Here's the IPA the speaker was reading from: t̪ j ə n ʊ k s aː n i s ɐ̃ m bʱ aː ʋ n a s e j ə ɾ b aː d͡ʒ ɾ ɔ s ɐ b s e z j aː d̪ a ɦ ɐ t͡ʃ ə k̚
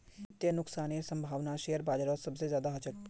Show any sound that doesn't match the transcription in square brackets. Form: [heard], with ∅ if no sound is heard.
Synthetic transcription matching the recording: t̪ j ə n ʊ k s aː n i s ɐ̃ m bʱ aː ʋ n a [ʃ] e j ə ɾ b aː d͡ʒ ɾ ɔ s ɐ b s e z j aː d̪ a ɦ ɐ t͡ʃ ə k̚